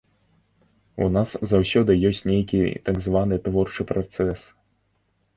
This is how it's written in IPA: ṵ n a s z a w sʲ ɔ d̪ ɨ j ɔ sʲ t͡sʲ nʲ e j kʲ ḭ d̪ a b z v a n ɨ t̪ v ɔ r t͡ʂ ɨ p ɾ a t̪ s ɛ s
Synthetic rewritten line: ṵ n a s z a w sʲ ɔ d̪ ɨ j ɔ sʲ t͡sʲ nʲ e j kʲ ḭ t̪ a ɡ z v a n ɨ t̪ v ɔ r t͡ʂ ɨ p ɾ a t̪ s ɛ s